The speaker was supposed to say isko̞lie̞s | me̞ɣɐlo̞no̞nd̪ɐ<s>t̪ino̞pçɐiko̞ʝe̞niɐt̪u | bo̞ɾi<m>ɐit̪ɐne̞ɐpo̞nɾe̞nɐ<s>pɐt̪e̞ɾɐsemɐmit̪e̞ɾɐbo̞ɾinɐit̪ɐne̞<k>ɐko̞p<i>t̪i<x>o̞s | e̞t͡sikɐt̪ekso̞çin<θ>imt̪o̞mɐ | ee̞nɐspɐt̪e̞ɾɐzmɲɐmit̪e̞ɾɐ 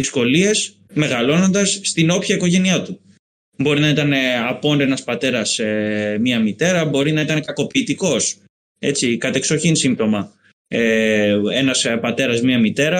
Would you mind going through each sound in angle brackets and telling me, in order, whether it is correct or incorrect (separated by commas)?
incorrect, incorrect, correct, correct, incorrect, incorrect, incorrect